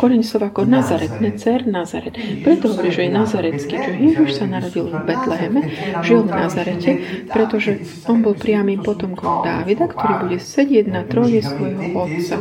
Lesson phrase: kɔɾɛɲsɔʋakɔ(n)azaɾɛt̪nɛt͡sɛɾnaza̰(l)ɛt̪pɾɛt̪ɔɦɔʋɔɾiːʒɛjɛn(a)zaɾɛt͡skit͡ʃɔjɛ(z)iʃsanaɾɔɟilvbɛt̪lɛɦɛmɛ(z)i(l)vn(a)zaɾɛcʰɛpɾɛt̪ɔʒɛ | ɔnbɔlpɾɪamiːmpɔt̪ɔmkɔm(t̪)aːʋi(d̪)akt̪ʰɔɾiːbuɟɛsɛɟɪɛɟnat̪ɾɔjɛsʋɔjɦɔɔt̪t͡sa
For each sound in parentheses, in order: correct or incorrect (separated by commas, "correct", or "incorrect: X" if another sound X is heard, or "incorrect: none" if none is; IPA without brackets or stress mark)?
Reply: correct, incorrect: ɾ, correct, incorrect: ʒ, incorrect: ʒ, correct, correct, incorrect: d̪, correct